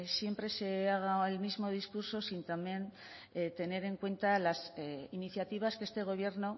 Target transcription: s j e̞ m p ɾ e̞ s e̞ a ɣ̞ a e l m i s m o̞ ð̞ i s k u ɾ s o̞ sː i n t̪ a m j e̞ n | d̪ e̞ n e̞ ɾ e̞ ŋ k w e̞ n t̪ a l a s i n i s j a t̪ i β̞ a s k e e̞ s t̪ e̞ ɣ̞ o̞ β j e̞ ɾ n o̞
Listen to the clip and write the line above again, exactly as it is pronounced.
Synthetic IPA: s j e̞ m p ɾ e̞ s e̞ a ɣ̞ a e l m i z m o̞ ð̞ i s k u ɾ s o̞ s i n t̪ a m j e̞ n | t̪ e̞ n e̞ ɾ e̞ ŋ k w e̞ n t̪ a l a s i n i θ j a t̪ i β̞ a s k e e̞ s t̪ e̞ ɣ̞ o̞ β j e̞ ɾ n o̞

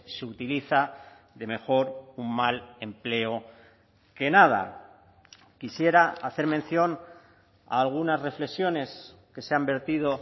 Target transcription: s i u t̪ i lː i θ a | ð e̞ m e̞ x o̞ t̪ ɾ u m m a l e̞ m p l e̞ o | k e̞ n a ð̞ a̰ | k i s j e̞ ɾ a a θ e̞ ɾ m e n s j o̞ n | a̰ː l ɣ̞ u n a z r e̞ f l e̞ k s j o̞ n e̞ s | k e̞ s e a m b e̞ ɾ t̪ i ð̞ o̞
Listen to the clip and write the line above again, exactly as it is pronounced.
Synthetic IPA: s e u t̪ i l i θ a | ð e̞ m e̞ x o̞ ɾ u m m a l e̞ m p l e̞ o | k e̞ n a ð̞ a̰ | k i s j e̞ ɾ a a θ e̞ ɾ m e n θ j o̞ n | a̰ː l ɣ̞ u n a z r e̞ f l e̞ k s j o̞ n e̞ s | k e̞ s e a m b e̞ ɾ t̪ i ð̞ o̞

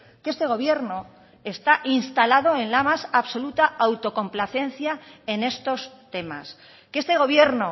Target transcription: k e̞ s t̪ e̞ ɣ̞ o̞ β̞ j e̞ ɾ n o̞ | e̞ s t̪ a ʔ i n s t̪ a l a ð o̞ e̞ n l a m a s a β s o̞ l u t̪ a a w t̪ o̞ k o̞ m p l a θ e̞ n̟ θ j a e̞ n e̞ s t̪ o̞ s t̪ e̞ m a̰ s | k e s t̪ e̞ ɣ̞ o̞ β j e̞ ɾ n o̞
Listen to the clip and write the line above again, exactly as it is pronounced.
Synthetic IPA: k e̞ s t̪ e̞ ɣ̞ o̞ β̞ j e̞ ɾ n o̞ | e̞ s t̪ a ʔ i n s t̪ a l a ð o̞ e̞ n l a m a s a β s o̞ l u t̪ a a w t̪ o̞ k o̞ m p l a θ e̞ n̟ θ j a e̞ n e̞ s t̪ o̞ s t̪ e̞ m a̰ s | k e s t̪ e̞ ɣ̞ o̞ β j e̞ ɾ n o̞

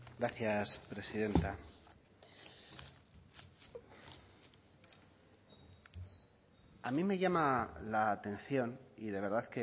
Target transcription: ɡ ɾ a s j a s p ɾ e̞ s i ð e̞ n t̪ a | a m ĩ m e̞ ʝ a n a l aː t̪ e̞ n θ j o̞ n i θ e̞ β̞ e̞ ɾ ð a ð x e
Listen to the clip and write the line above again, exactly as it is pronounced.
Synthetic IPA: ɡ ɾ a θ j a s p ɾ e̞ s i ð e̞ n t̪ a | a m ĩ m e̞ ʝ a m a l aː t̪ e̞ n θ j o̞ n i ð e̞ β̞ e̞ ɾ ð a ð k e

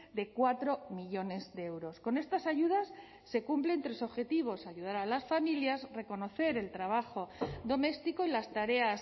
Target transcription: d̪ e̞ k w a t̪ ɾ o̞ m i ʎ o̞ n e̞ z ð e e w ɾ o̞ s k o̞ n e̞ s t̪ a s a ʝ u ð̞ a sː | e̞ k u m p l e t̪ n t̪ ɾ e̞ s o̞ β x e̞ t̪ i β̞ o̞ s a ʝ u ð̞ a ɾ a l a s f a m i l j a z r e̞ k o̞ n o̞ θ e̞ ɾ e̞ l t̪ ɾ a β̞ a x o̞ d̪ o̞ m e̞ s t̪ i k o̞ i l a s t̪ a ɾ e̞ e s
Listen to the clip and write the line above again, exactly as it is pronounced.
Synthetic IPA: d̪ e̞ k w a t̪ ɾ o̞ m i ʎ o̞ n e̞ z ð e e w ɾ o̞ s k o̞ n e̞ s t̪ a s a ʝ u ð̞ a sː | e̞ k u m p l e n t̪ ɾ e̞ s o̞ β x e̞ t̪ i β̞ o̞ s a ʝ u ð̞ a ɾ a l a s f a m i l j a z r e̞ k o̞ n o̞ θ e̞ ɾ e̞ l t̪ ɾ a β̞ a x o̞ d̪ o̞ m e̞ s t̪ i k o̞ i l a s t̪ a ɾ e̞ a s

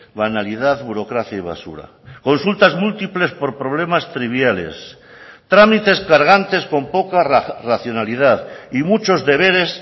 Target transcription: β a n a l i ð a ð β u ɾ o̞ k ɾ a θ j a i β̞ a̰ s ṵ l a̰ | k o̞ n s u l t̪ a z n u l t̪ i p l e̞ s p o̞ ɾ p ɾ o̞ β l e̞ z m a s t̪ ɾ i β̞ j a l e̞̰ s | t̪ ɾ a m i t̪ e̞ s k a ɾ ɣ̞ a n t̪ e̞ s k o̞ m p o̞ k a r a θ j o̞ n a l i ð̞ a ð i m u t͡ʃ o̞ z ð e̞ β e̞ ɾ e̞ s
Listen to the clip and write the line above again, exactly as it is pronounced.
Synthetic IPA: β a n a l i ð a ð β u ɾ o̞ k ɾ a θ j a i β̞ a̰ s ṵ ɾ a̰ | k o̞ n s u l t̪ a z m u l t̪ i p l e̞ s p o̞ ɾ p ɾ o̞ β l e̞ m a s t̪ ɾ i β̞ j a l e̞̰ s | t̪ ɾ a m i t̪ e̞ s k a ɾ ɣ̞ a n t̪ e̞ s k o̞ m p o̞ k a r a θ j o̞ n a l i ð̞ a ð i m u t͡ʃ o̞ z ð e̞ β e̞ ɾ e̞ s

